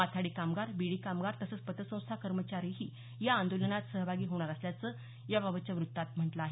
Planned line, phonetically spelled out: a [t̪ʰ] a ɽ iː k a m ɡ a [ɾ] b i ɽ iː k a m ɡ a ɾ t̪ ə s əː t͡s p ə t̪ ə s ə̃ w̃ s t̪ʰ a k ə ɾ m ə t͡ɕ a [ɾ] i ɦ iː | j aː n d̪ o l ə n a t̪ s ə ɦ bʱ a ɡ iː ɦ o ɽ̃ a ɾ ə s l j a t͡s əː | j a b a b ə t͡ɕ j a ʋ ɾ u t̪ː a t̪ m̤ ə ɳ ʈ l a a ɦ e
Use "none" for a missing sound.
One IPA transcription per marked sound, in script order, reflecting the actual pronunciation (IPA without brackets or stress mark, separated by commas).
t̪ʰ, ɾ, ɾ